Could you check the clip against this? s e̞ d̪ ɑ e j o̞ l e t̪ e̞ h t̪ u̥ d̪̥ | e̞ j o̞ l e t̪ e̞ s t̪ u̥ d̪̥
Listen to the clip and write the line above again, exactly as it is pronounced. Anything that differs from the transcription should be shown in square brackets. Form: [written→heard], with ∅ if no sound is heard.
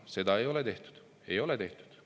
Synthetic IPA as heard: s e̞ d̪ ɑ e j o̞ l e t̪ e̞ h t̪ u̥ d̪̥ | e̞ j o̞ l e t̪ e̞ [s→h] t̪ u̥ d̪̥

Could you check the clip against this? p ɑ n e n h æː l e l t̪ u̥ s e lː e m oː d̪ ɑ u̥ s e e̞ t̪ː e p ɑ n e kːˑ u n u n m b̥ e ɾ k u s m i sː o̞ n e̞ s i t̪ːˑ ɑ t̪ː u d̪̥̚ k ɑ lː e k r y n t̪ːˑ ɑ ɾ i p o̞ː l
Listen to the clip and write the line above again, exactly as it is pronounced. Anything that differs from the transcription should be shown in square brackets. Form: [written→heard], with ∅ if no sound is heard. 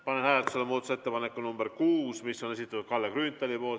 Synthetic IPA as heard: p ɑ n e n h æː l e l t̪ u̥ s e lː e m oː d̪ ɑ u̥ s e e̞ t̪ː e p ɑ n e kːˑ u n u [n→∅] m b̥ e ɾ k [u→uː] s m i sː o̞ n e̞ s i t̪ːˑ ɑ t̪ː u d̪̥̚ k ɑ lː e k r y n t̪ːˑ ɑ [ɾ→l] i p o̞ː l

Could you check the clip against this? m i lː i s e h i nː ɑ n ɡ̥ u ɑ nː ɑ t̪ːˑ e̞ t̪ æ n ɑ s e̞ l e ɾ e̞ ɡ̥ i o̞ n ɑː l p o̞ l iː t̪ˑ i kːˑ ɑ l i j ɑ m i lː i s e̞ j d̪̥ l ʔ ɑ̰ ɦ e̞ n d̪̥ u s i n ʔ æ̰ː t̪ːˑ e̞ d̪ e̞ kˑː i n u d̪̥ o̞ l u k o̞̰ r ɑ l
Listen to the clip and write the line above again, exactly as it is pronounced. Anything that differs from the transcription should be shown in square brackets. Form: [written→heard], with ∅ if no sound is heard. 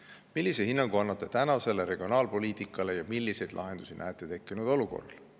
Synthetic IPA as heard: m i lː i s e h i nː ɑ [n→ŋ] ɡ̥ u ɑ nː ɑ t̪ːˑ e̞ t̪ æ n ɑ s e̞ l e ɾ e̞ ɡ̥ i o̞ n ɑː l p o̞ l iː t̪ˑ i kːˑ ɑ l [i→e] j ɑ m i lː i s e̞ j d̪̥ l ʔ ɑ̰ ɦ e̞ n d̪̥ u s i n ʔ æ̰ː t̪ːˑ e̞ [d̪→t̪] e̞ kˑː i n u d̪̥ o̞ l u k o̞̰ r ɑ l

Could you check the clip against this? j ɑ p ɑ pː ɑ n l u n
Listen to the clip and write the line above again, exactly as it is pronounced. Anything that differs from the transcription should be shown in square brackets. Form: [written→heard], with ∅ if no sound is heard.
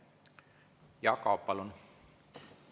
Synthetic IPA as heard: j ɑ [p→k] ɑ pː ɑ [n→∅] l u n

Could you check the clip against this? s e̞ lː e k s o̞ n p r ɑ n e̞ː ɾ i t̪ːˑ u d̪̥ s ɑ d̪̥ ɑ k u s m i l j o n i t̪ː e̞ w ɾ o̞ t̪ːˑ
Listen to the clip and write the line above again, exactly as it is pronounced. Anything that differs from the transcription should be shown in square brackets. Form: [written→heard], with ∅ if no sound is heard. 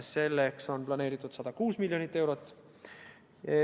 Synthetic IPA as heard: s e̞ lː e k s o̞ n p [r→l] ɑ n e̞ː ɾ i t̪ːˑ u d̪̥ s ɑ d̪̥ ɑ k [u→uː] s m i l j o n i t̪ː e̞ w ɾ o̞ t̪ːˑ

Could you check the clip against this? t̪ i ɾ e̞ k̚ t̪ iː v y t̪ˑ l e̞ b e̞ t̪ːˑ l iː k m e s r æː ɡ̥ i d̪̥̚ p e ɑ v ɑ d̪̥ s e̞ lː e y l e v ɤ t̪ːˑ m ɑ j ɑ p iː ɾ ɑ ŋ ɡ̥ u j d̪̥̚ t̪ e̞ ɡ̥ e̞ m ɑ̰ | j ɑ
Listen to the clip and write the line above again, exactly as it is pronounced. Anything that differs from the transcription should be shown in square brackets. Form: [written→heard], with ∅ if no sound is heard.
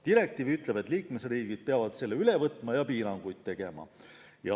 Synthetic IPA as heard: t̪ i ɾ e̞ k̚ t̪ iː v y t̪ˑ l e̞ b e̞ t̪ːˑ l iː k m e s r [æː→iː] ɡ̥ i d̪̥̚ p e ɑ v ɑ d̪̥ s e̞ lː e y l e v ɤ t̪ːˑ m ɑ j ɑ p iː ɾ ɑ ŋ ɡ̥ u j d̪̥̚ t̪ e̞ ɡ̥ e̞ m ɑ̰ | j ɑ

